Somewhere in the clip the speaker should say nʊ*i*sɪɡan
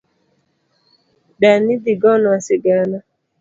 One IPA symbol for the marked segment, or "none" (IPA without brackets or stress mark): a